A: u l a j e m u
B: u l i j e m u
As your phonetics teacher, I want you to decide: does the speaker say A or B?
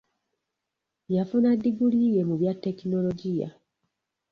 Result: B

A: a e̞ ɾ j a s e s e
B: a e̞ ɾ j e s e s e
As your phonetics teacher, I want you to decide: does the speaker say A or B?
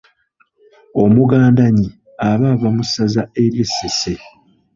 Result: B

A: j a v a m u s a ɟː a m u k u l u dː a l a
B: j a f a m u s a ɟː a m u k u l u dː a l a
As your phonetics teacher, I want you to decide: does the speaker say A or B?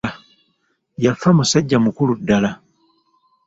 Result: B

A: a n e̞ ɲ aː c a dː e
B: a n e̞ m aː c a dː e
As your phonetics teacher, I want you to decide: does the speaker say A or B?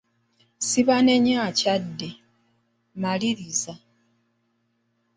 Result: A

